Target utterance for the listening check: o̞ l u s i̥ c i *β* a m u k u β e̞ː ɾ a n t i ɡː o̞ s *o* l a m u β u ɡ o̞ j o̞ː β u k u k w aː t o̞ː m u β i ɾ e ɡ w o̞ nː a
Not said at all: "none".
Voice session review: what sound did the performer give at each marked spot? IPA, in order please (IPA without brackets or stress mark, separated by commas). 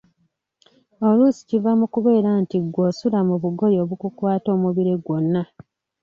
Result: v, u